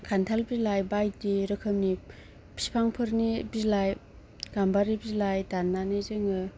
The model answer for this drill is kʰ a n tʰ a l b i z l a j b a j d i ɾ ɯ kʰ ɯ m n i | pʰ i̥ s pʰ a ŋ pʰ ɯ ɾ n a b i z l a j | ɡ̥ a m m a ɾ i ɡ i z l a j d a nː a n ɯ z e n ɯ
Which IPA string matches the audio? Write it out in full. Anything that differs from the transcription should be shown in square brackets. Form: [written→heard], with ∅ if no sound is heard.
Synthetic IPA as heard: kʰ a n tʰ a l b i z l a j b a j d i ɾ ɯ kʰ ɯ m n i | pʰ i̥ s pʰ a ŋ pʰ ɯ ɾ n [a→i] b i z l a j | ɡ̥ a m [m→b] a ɾ i [ɡ→b] i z l a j d a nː a n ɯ z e [n→ŋ] ɯ